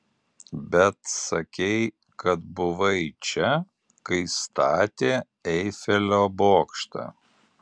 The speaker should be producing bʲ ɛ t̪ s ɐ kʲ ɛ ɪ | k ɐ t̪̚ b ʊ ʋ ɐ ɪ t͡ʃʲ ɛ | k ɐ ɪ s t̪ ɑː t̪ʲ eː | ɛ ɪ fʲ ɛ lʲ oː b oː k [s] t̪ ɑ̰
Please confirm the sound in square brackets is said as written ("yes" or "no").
no